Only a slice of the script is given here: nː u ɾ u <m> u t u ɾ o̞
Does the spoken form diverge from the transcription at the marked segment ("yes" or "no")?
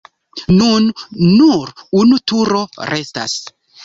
yes